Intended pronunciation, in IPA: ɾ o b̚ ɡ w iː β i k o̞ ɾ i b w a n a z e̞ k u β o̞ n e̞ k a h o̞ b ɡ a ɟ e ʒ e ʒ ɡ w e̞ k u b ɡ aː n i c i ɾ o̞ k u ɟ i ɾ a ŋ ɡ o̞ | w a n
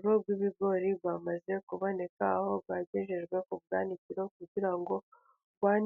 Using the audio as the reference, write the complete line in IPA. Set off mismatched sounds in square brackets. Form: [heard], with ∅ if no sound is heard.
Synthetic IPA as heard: ɾ o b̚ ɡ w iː β i [ɡ] o̞ ɾ i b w a [m] a z e̞ k u β o̞ n e̞ k a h o̞ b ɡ a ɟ e ʒ e ʒ ɡ w e̞ k u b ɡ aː n i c i ɾ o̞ k u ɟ i ɾ a ŋ ɡ o̞ | w a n